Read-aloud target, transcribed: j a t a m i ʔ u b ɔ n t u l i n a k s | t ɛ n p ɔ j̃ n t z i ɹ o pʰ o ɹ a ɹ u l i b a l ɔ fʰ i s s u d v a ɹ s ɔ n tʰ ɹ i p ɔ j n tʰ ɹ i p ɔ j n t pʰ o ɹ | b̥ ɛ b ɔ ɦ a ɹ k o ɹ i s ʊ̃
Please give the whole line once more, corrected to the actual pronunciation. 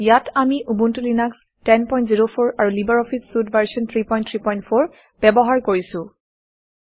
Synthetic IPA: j a t a m i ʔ u b u n t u l i n a k s | t ɛ n p ɔ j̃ n t z i ɹ o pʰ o ɹ a ɹ u l i b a ɹ ɔ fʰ i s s u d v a ɹ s ɔ n tʰ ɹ i p ɔ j n tʰ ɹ i p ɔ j n t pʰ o ɹ | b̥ ɛ b ɔ ɦ a ɹ k o ɹ i s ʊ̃

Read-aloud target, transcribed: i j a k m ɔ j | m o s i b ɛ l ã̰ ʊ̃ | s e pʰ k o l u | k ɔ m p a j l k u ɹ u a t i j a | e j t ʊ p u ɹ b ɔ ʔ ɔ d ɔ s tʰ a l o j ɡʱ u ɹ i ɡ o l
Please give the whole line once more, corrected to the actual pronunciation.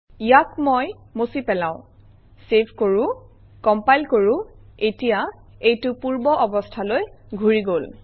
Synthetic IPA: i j a k m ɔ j | m o s i p ɛ l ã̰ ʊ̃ | s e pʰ k o ɹ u | k ɔ m p a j l k o ɹ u e t i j a | e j t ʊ p u ɹ b ɔ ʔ ɔ b ɔ s tʰ a l o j ɡʱ u ɹ i ɡ o l

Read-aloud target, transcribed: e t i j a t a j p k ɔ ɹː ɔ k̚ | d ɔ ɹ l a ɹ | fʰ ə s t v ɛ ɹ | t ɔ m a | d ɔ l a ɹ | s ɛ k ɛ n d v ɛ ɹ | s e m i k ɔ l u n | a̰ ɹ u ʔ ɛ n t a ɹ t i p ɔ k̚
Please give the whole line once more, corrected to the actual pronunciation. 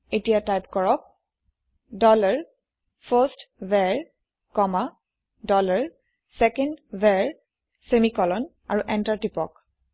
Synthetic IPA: e t i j a t a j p k ɔ ɹ ɔ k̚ | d ɔ l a ɹ | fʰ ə s t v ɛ ɹ | k ɔ m a | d ɔ l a ɹ | s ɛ k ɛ n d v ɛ ɹ | s e m i k ɔ l ɔ n | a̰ ɹ u ʔ ɛ n t a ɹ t i p ɔ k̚

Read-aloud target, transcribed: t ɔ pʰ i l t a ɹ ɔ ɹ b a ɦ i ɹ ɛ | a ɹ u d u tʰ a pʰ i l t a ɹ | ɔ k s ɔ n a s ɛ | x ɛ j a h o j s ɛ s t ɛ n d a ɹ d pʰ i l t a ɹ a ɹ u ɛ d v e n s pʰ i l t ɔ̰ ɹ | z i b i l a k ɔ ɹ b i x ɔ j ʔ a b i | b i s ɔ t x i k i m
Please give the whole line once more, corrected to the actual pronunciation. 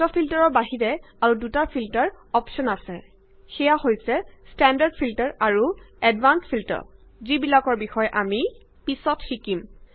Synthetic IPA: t ɔ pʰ i l t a ɹ ɔ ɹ b a ɦ i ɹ ɛ | a ɹ u d u t a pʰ i l t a ɹ | ɔ p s ɔ n a s ɛ | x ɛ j a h o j s ɛ s t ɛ n d a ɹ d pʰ i l t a ɹ a ɹ u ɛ d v a n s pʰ i l t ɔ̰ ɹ | z i b i l a k ɔ ɹ b i x ɔ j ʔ a m i | p i s ɔ t x i k i m

